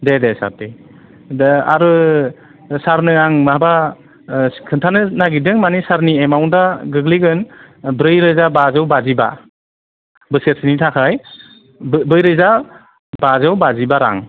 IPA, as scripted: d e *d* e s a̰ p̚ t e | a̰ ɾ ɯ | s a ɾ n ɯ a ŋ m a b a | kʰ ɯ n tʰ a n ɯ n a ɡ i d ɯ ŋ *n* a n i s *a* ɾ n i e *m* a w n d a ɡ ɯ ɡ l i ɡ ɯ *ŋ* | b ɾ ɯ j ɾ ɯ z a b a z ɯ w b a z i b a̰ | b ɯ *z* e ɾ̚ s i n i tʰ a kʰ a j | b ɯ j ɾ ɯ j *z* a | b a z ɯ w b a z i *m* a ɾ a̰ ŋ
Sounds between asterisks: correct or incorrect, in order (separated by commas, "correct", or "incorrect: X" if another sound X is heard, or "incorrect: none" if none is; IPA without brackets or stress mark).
correct, incorrect: m, correct, correct, incorrect: n, incorrect: s, correct, incorrect: b